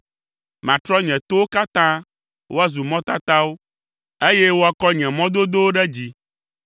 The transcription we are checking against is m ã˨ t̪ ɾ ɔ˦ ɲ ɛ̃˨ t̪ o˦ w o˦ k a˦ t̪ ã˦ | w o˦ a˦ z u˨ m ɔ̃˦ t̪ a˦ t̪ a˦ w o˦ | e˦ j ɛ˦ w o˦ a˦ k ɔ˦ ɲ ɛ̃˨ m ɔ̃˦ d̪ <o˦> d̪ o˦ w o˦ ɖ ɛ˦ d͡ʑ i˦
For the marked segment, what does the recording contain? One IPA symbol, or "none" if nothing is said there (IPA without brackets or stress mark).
o˦